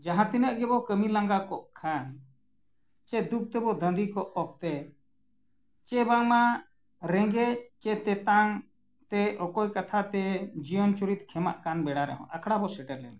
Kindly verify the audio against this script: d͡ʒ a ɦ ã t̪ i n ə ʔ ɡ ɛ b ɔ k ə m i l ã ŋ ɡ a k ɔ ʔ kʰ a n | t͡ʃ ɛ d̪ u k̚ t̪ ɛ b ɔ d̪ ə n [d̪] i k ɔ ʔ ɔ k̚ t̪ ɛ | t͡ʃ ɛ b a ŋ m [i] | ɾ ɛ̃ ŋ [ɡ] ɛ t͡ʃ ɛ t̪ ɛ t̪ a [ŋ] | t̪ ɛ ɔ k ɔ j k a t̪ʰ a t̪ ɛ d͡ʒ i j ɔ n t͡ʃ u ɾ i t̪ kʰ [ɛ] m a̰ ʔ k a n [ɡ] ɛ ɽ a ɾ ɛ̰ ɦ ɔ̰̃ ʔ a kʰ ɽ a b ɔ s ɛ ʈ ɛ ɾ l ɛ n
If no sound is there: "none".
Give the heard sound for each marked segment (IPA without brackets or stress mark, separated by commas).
d̪, a, ɡ, ŋ, ɛ, b